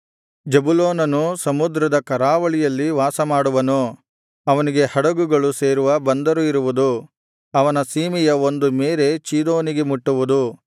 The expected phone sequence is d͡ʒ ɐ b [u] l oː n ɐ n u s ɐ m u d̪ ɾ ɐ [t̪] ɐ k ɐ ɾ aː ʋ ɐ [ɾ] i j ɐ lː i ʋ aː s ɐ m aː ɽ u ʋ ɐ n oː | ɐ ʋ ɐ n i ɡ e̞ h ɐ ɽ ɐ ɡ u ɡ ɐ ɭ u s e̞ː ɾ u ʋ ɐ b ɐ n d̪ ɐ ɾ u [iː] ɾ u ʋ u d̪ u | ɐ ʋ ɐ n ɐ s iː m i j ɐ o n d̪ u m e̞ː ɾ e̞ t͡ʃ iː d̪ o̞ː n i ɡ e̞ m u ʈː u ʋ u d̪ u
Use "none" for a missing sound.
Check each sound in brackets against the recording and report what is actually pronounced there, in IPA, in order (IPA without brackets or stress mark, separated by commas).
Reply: u, d̪, ɭ, i